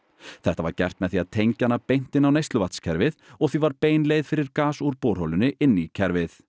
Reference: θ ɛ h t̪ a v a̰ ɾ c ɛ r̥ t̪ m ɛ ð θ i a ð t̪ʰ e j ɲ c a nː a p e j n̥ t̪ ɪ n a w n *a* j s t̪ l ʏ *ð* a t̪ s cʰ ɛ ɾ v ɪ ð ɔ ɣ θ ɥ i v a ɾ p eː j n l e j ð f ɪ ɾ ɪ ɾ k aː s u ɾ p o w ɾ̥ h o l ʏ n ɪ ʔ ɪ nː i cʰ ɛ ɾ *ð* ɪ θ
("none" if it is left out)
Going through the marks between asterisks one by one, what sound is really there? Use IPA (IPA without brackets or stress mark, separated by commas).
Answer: e, v, v